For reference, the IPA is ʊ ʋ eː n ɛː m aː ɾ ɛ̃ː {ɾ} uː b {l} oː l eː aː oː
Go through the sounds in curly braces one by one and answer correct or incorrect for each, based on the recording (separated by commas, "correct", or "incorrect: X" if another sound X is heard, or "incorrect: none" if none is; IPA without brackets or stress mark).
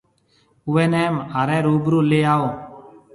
correct, incorrect: ɾ